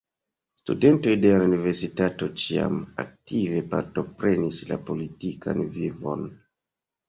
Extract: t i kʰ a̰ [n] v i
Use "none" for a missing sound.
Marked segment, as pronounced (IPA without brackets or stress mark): n